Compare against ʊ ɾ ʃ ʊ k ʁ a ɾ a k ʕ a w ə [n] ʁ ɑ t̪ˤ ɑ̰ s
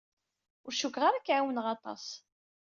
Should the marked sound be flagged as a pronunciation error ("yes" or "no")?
no